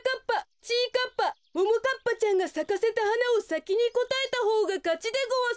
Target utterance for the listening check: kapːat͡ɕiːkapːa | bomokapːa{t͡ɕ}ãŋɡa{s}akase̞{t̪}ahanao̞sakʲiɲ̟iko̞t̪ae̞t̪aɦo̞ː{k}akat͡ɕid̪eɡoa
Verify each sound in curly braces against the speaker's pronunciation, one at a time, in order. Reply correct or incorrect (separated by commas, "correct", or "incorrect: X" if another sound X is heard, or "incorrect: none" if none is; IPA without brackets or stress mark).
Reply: correct, correct, correct, incorrect: ɡ